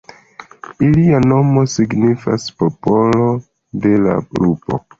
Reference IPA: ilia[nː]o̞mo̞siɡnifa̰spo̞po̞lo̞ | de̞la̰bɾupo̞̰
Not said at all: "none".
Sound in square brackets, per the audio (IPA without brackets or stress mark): n